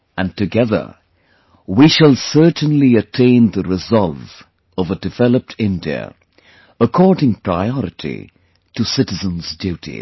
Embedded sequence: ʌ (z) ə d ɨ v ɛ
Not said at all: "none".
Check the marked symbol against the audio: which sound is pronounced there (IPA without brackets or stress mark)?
v